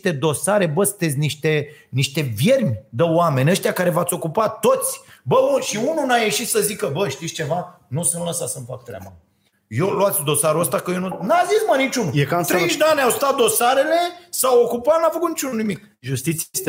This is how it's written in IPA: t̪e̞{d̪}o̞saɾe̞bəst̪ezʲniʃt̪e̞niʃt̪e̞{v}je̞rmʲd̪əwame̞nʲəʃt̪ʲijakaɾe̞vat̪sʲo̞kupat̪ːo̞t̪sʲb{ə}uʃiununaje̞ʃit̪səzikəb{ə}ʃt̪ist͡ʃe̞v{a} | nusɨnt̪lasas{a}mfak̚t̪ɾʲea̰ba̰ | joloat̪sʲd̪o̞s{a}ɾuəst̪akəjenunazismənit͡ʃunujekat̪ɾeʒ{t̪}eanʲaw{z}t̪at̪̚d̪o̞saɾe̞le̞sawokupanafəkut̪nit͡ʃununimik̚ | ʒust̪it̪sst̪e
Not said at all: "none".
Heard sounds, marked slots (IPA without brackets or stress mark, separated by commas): d̪, v, ə, ə, a, ə, a, d̪, s